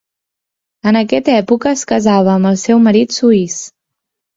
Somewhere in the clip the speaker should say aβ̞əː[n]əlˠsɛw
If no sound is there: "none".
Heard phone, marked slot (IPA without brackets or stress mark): m